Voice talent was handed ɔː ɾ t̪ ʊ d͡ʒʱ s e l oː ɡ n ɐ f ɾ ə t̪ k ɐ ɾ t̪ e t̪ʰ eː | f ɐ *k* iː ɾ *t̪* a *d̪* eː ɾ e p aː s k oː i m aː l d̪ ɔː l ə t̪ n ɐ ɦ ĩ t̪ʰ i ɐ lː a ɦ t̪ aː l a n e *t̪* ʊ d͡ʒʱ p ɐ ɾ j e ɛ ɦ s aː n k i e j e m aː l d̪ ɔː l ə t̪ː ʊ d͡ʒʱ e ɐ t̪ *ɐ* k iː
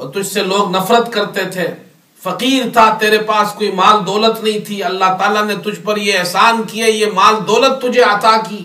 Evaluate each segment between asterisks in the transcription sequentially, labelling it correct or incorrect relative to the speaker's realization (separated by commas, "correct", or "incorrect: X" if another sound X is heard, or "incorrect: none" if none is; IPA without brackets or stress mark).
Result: incorrect: q, incorrect: t̪ʰ, incorrect: t̪, correct, incorrect: a